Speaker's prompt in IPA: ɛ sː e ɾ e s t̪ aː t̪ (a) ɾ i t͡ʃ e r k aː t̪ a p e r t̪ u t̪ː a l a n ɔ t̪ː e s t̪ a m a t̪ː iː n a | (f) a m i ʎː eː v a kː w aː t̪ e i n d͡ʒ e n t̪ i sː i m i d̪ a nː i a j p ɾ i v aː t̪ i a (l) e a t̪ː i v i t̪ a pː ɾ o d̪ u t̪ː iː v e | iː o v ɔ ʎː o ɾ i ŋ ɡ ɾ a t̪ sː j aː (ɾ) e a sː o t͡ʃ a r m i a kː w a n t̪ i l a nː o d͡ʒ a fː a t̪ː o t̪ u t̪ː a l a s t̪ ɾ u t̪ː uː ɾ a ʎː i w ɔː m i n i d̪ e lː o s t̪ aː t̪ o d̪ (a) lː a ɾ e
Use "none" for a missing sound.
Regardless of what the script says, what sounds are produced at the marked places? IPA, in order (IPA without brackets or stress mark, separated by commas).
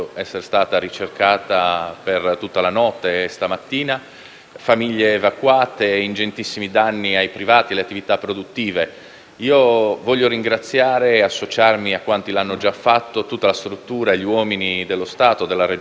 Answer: a, f, l, ɾ, e